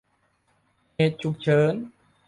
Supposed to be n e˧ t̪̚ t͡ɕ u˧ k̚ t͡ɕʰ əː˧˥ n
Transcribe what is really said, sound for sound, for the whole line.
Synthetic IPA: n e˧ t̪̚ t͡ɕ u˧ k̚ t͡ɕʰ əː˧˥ n

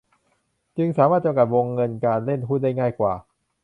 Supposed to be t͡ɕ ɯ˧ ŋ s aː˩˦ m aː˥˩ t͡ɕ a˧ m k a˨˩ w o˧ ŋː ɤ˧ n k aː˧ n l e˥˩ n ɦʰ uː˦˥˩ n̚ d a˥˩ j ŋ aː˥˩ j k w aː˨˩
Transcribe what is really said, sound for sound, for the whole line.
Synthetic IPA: t͡ɕ ɯ˧ ŋ s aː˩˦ m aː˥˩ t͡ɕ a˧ m k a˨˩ w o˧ ŋː ɤ˧ n k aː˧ n l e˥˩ n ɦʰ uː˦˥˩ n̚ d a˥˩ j ŋ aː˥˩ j k w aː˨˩

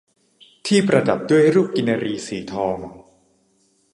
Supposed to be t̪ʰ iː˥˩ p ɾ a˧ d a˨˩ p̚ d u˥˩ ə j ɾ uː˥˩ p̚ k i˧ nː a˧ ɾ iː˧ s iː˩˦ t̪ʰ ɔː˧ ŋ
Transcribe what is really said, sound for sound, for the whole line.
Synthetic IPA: t̪ʰ iː˥˩ p ɾ a˧ d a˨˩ p̚ d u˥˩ ə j ɾ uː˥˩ p̚ k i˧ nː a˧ ɾ iː˧ s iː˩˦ t̪ʰ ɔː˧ ŋ

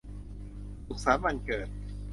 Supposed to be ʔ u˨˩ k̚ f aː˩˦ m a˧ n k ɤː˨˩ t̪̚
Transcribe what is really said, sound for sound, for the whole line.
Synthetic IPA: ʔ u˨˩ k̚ s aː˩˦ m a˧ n k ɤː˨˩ t̪̚

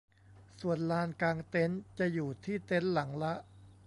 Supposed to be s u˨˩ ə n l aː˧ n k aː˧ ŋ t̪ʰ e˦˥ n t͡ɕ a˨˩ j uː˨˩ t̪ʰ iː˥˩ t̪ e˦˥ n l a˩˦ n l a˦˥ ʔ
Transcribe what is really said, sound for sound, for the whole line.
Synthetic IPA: s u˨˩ ə n l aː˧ n k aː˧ ŋ t̪ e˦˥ n t͡ɕ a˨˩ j uː˨˩ t̪ʰ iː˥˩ t̪ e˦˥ n l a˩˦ ŋ l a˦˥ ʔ

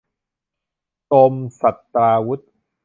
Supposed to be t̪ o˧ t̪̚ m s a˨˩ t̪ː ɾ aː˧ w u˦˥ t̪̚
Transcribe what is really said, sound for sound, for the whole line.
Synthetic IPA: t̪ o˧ m s a˨˩ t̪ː ɾ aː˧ w u˦˥ t̪̚

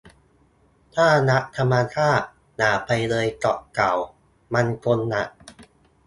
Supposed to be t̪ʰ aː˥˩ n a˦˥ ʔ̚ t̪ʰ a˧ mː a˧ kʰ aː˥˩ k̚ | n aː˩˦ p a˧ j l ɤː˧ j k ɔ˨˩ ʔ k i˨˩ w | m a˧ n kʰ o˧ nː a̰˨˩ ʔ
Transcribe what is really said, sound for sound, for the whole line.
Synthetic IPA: t̪ʰ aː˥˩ n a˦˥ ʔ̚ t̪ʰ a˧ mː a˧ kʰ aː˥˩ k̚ | n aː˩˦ p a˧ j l ɤː˧ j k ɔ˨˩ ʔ k a˨˩ w | m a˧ n kʰ o˧ nː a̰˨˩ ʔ

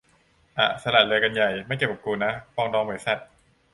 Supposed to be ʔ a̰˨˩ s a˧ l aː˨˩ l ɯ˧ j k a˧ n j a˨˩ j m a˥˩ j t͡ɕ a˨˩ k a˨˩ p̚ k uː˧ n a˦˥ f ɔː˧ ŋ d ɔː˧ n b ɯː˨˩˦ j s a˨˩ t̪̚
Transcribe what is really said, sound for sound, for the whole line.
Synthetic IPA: ʔ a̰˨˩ s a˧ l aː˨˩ l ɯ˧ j k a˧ n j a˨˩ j m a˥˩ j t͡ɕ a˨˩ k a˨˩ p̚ k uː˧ n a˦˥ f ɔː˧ ŋ d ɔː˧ ŋ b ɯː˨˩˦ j s a˨˩ t̪̚

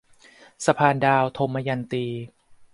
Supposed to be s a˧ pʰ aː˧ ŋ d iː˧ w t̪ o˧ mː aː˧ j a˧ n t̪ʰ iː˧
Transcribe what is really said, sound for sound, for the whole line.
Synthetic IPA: s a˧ pʰ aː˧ n d aː˧ w t̪ʰ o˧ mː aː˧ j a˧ n t̪ iː˧

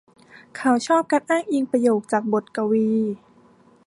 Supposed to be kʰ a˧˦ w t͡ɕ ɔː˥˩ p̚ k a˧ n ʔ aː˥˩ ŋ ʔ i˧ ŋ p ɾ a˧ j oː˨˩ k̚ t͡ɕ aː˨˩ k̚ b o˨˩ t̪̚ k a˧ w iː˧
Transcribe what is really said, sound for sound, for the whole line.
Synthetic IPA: kʰ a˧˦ w t͡ɕʰ ɔː˥˩ p̚ k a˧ n ʔ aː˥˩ ŋ ʔ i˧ ŋ p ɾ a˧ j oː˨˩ k̚ t͡ɕ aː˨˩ k̚ b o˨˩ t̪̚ k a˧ w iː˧

